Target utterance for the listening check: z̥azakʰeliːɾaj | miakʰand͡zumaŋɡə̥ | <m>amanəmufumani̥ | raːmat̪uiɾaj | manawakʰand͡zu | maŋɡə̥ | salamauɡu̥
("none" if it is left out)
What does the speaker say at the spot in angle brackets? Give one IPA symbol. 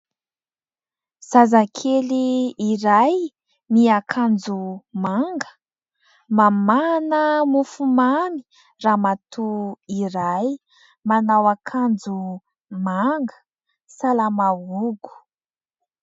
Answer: m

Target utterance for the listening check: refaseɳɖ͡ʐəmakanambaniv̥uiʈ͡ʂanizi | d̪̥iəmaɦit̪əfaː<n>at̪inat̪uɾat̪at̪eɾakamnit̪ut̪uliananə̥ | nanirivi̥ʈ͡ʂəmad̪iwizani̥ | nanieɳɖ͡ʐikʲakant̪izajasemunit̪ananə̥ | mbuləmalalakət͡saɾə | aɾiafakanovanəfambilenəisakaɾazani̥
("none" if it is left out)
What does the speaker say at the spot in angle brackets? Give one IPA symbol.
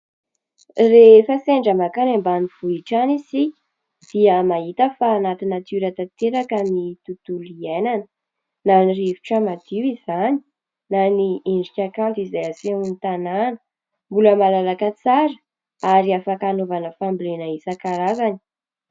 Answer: n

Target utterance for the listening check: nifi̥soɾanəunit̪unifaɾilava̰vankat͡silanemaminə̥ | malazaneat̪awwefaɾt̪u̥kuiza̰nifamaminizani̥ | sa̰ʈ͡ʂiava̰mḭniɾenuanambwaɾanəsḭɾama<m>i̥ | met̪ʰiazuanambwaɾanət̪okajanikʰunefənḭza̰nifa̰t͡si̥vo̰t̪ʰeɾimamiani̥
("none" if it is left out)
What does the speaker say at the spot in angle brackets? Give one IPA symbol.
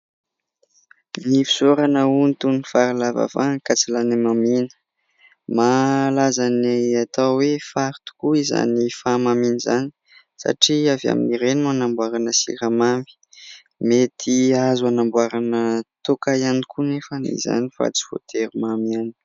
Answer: m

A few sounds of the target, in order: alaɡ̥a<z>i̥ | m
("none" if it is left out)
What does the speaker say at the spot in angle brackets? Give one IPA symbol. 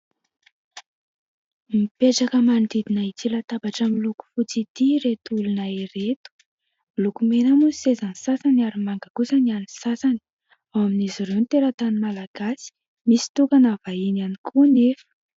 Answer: s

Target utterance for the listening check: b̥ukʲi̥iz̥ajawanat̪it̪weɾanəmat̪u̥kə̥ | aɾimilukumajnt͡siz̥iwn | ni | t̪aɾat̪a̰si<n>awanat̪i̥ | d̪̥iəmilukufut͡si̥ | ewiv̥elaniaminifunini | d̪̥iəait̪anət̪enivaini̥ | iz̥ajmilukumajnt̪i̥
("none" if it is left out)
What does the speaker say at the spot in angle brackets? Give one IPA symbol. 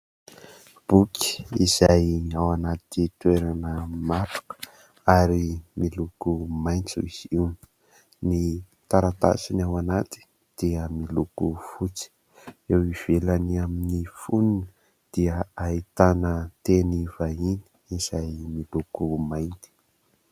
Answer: n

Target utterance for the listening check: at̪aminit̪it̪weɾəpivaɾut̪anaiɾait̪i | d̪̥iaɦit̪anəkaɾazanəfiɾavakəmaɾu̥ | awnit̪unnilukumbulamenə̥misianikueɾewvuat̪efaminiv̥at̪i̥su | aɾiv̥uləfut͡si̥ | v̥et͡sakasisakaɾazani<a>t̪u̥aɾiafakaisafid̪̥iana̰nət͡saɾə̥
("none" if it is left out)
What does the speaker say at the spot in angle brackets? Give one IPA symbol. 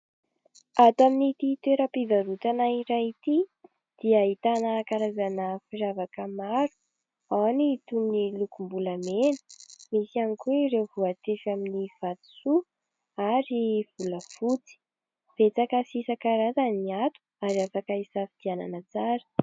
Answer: a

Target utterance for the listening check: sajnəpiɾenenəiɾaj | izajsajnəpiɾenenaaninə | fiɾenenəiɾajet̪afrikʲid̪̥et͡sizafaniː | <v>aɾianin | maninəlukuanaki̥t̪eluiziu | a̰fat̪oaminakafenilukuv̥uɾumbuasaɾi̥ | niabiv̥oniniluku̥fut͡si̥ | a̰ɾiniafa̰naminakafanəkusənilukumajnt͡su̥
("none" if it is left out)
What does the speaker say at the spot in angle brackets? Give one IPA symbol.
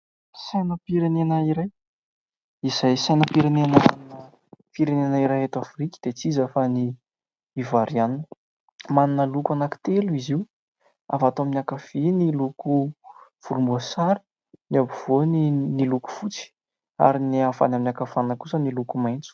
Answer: v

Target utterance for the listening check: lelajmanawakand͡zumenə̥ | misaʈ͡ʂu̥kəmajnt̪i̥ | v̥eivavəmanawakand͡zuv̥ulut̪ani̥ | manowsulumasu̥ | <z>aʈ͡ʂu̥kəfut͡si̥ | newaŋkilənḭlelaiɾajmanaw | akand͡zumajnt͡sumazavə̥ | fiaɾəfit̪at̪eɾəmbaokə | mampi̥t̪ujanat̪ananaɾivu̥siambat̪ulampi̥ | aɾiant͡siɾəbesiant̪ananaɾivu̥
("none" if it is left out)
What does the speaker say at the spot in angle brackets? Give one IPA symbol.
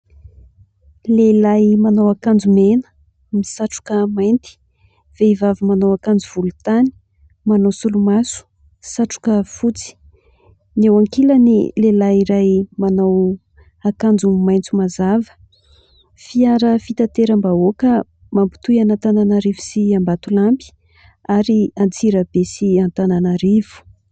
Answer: s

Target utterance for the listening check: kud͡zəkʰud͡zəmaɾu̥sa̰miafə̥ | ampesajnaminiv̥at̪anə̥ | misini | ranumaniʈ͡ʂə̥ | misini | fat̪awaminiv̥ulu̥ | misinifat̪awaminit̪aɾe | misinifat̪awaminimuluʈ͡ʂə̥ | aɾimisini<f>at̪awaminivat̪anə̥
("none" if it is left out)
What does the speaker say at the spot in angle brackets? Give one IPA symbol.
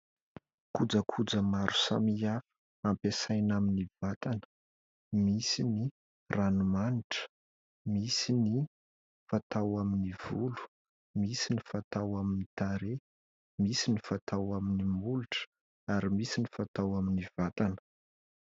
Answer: f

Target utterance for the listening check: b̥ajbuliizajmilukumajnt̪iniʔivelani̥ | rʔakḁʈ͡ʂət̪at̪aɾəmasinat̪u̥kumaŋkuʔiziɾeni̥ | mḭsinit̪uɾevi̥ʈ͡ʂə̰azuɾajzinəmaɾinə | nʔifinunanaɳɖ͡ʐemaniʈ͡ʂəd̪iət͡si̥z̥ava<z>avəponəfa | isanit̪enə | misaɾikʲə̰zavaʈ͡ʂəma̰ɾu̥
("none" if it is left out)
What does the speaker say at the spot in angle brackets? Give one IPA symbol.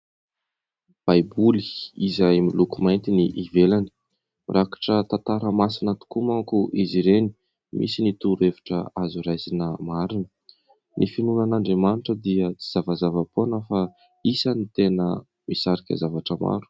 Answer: z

